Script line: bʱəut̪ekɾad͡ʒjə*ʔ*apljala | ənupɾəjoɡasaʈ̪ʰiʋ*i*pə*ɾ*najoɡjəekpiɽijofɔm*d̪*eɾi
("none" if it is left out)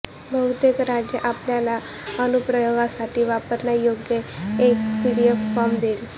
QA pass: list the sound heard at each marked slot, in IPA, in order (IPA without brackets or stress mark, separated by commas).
ʔ, a, ɾ, d̪